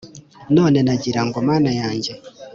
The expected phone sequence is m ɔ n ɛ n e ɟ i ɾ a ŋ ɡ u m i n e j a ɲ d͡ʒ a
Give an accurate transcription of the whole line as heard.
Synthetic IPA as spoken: n ɔ n ɛ n a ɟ i ɾ a ŋ ɡ ɔ m a n a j a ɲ d͡ʒ ɛ